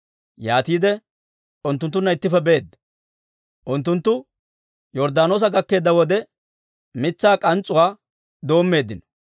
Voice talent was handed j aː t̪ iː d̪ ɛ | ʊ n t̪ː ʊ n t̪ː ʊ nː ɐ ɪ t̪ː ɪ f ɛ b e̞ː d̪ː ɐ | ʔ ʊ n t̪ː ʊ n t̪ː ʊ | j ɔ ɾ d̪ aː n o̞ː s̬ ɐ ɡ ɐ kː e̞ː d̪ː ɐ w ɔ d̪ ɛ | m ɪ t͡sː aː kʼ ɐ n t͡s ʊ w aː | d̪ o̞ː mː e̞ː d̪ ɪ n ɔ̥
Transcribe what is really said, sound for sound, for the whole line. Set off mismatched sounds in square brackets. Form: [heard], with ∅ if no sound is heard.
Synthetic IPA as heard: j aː t̪ iː d̪ ɛ | ʊ n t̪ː ʊ n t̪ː ʊ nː ɐ ɪ t̪ː ɪ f ɛ b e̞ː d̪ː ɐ | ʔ ʊ n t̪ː ʊ n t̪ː ʊ | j ɔ ɾ d̪ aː n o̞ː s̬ ɐ ɡ ɐ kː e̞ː d̪ː ɐ w ɔ d̪ ɛ | m ɪ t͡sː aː kʼ ɐ n [t͡sʼ] ʊ w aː | d̪ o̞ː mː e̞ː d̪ ɪ n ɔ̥